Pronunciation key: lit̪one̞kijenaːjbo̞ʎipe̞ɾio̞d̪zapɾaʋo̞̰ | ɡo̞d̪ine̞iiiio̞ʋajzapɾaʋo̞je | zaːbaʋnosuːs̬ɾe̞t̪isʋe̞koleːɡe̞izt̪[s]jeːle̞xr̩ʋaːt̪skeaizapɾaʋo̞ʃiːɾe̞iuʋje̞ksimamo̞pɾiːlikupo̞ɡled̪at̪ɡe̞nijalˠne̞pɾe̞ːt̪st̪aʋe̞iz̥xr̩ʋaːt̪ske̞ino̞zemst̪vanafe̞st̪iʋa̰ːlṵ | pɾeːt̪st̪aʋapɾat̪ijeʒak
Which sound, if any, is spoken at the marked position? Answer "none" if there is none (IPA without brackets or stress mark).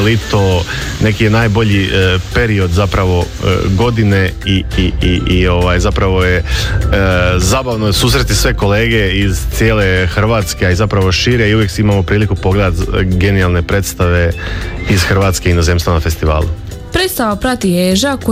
s